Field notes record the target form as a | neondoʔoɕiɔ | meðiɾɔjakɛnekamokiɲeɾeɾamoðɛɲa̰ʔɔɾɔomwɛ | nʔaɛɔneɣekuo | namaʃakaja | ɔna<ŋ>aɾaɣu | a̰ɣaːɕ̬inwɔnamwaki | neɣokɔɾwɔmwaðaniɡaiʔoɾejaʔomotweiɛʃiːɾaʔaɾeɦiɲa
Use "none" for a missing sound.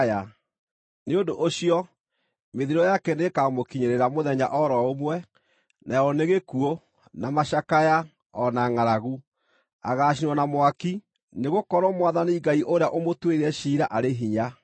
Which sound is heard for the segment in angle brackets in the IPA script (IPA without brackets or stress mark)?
ŋ